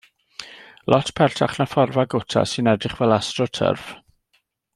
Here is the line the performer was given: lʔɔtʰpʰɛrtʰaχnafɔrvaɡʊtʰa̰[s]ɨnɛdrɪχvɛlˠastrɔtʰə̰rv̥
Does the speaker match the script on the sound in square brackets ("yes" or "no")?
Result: yes